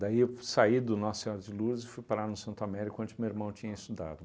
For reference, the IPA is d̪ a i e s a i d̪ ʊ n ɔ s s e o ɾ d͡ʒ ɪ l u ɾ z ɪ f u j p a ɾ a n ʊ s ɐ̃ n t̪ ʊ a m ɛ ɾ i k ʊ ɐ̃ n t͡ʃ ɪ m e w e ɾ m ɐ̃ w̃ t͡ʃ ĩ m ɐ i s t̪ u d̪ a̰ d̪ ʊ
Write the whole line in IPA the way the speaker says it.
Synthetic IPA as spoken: d̪ a i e s a i d̪ ʊ n ɔ s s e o ɾ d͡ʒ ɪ l u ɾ z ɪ f u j p a ɾ a n ʊ s ɐ̃ n t̪ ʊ a m ɛ ɾ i k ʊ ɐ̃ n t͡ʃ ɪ m e w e ɾ m ɐ̃ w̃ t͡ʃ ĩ ɲ ɐ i s t̪ u d̪ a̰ d̪ ʊ